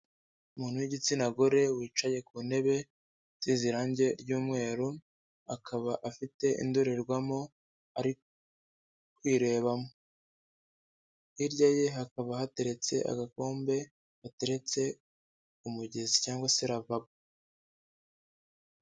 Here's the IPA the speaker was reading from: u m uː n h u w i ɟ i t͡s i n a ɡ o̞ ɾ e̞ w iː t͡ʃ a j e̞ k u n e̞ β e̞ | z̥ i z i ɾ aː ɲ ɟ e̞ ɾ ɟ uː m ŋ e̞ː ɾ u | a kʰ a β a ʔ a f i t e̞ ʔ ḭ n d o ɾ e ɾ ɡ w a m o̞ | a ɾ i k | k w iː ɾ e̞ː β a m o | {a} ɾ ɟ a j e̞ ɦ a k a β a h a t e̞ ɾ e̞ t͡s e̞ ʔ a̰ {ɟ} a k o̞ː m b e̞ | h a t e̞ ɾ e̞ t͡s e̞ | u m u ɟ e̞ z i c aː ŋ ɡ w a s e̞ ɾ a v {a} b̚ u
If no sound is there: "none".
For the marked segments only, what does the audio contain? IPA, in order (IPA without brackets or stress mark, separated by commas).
i, ɡ, a